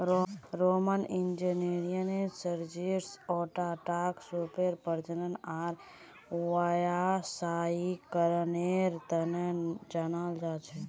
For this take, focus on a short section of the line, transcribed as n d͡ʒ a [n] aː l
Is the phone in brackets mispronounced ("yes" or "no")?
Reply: no